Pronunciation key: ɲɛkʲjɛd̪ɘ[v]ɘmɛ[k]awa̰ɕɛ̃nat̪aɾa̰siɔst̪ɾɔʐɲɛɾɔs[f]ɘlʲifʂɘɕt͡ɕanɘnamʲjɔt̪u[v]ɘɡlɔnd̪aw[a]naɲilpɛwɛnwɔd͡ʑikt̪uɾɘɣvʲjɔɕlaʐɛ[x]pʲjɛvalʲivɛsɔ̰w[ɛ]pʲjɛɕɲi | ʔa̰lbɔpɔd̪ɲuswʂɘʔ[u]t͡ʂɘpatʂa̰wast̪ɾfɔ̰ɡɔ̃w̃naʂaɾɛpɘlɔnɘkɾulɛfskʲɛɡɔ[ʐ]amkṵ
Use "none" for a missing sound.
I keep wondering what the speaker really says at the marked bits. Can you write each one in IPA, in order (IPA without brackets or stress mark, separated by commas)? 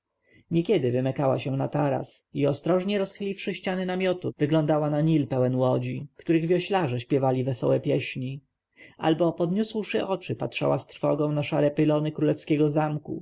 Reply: v, k, x, v, a, ɕ, ɛ, ɔ, z